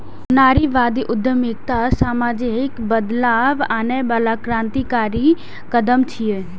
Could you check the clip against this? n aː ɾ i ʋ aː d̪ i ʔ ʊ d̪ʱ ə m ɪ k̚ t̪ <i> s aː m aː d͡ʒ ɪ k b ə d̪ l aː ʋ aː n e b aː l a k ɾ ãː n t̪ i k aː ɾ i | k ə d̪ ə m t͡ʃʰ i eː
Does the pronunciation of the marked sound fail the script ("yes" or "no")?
yes